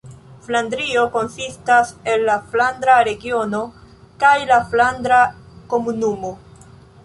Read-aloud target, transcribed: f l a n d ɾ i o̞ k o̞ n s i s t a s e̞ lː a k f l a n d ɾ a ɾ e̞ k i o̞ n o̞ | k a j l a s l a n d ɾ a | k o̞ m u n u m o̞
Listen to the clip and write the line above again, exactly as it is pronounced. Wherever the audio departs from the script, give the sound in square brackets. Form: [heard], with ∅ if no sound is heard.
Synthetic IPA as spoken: f l a n d ɾ i o̞ k o̞ n s i s t a s e̞ lː a [∅] f l a n d ɾ a ɾ e̞ [ɡ] i o̞ n o̞ | k a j l a [f] l a n d ɾ a | k o̞ m u n u m o̞